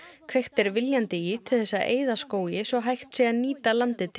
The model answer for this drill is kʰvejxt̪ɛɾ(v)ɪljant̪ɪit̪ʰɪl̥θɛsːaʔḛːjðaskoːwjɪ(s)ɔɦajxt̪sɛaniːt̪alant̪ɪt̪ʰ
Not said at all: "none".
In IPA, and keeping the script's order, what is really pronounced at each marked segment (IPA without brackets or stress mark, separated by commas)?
v, s